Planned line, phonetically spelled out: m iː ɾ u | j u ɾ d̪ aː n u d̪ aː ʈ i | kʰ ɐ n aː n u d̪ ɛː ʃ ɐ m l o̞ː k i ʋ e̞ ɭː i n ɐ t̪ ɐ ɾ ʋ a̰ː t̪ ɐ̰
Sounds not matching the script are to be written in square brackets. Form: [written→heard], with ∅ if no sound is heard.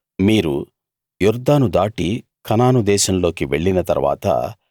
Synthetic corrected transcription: m iː ɾ u | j u ɾ d̪ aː n u d̪ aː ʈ i | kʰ ɐ n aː n u d̪ ɛː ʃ ɐ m l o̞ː k i ʋ e̞ ɭː i n ɐ t̪ ɐ ɾ ʋ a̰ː t̪ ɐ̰